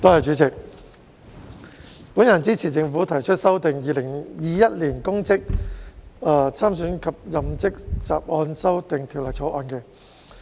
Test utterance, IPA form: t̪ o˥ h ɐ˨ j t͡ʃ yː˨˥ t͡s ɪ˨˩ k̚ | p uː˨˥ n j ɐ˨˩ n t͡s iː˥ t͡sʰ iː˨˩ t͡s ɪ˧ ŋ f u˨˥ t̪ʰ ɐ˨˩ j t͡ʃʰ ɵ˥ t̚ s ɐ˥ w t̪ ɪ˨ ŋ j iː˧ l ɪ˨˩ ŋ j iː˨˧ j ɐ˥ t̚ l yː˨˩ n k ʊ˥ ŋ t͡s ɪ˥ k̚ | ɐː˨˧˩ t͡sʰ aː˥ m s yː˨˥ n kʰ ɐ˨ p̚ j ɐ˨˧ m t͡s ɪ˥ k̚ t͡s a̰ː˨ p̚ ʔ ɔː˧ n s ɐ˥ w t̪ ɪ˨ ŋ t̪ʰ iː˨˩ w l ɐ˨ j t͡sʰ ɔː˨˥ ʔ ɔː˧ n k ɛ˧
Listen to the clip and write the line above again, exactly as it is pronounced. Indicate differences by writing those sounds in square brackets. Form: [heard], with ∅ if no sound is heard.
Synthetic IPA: t̪ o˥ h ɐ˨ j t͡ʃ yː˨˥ t͡s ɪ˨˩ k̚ | p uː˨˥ n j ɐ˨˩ n t͡s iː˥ t͡sʰ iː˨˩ t͡s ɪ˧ ŋ f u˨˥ t̪ʰ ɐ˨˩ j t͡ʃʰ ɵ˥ t̚ s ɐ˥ w t̪ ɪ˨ ŋ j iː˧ l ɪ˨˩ ŋ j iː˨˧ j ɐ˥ t̚ l [iː˨˩] n k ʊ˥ ŋ t͡s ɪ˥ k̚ | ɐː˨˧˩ t͡sʰ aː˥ m s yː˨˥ n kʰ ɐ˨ p̚ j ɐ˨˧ m t͡s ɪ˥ k̚ t͡s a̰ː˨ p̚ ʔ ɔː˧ n s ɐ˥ w t̪ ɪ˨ ŋ t̪ʰ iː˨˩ w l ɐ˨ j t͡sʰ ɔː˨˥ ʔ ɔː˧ n k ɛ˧